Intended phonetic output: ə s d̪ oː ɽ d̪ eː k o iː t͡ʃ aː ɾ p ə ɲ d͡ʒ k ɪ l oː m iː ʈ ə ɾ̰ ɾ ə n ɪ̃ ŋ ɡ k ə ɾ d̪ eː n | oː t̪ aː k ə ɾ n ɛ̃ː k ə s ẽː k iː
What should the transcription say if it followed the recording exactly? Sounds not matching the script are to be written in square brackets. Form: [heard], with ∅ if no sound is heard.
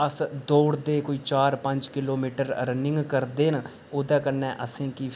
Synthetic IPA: ə s d̪ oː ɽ d̪ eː k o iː t͡ʃ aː ɾ p ə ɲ d͡ʒ k ɪ l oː m iː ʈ ə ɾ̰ ɾ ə n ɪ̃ ŋ ɡ k ə ɾ d̪ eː n | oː [d̪] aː k ə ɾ n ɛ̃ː [ʔ] ə s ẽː k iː